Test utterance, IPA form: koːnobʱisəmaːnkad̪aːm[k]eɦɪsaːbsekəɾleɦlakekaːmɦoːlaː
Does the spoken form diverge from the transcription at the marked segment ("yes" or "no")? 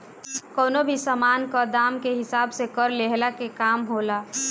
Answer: no